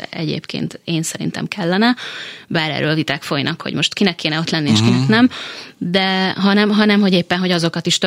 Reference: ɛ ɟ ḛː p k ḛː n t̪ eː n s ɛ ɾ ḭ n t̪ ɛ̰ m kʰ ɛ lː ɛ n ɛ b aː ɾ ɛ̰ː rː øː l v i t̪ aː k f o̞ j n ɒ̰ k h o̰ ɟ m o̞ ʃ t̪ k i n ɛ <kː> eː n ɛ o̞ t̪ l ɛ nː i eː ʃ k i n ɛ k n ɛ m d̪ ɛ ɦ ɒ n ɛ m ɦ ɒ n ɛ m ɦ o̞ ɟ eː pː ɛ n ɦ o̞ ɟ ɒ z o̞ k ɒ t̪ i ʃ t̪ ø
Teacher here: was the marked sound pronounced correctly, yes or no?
yes